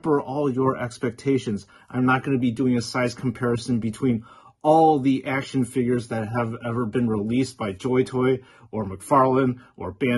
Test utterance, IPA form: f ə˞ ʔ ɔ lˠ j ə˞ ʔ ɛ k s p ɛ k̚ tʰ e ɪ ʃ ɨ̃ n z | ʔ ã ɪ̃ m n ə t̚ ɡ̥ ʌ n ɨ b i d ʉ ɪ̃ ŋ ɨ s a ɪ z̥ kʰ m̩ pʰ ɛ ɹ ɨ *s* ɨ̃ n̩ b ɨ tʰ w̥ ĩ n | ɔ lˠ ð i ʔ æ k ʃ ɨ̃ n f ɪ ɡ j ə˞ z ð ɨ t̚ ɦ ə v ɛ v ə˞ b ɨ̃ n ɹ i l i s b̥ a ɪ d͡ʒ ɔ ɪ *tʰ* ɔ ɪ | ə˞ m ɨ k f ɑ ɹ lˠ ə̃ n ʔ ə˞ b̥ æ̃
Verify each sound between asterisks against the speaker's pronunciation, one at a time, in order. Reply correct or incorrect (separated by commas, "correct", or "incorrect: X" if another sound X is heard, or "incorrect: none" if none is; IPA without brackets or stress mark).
correct, correct